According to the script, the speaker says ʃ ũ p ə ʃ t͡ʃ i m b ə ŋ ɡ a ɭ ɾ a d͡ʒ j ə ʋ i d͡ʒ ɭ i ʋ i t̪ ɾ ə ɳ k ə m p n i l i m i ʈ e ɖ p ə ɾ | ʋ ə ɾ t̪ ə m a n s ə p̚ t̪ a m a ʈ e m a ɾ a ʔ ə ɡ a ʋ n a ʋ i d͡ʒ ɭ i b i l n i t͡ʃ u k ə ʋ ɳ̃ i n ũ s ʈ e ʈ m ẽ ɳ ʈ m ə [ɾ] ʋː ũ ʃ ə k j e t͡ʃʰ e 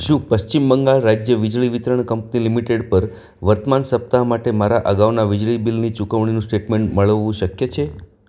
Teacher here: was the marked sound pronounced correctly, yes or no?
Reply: no